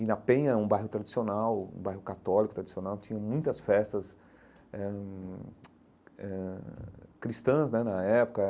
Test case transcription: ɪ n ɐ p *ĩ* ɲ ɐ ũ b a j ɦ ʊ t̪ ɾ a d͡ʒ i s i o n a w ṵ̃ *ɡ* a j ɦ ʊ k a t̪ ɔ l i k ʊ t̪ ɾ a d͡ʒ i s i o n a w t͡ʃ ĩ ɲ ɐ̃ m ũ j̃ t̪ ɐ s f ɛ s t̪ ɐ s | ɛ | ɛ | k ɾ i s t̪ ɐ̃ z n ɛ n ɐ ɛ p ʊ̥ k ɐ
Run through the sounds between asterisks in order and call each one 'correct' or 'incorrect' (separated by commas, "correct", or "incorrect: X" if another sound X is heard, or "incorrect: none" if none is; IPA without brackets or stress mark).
incorrect: ẽ, incorrect: b